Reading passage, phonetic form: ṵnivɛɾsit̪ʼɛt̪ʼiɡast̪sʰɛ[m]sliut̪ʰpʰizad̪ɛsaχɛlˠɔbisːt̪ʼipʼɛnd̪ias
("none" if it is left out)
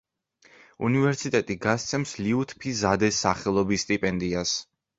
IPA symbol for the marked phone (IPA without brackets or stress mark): m